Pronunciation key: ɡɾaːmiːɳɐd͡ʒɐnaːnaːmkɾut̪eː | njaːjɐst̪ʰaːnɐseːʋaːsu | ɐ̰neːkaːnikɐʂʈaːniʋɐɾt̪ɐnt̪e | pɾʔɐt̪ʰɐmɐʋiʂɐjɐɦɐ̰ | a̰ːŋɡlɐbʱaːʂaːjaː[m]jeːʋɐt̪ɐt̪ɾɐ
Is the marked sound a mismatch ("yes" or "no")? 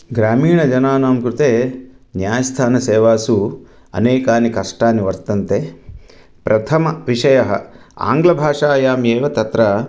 no